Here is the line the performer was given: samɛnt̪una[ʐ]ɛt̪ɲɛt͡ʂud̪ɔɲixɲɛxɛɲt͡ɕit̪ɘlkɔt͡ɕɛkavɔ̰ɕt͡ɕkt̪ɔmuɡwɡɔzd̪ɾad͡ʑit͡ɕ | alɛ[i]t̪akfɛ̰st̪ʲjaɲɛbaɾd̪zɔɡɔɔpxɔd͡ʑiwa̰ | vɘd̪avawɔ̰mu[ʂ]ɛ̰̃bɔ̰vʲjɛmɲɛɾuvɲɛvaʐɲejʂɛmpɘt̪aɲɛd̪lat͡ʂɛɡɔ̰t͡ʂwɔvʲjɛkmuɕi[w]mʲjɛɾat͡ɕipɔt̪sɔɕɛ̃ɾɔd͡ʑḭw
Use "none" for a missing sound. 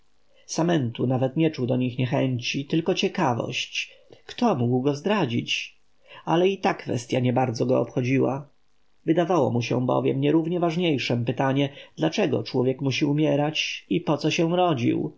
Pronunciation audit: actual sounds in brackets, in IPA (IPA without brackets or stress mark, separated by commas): v, i, ɕ, u